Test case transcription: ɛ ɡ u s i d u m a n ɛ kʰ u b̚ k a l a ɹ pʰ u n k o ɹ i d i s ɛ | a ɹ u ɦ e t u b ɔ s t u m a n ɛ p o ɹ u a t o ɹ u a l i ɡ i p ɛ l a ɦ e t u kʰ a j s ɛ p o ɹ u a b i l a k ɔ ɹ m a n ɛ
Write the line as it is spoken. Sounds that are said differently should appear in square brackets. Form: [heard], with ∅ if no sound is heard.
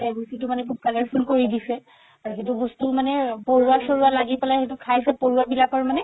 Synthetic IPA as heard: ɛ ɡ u s i [t] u m a n ɛ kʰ u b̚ k a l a ɹ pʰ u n k o ɹ i d i s ɛ | a ɹ u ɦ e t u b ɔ s t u m a n ɛ p o ɹ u a [s] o ɹ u a l [a] ɡ i p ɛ l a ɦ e t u kʰ a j s ɛ p o ɹ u a b i l a k ɔ ɹ m a n ɛ